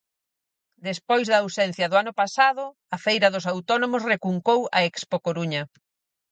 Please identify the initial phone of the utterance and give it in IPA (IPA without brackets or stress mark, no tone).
d̪